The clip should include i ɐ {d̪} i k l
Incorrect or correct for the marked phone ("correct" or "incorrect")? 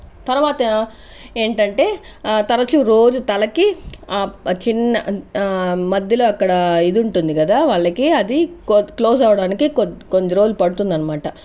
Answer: correct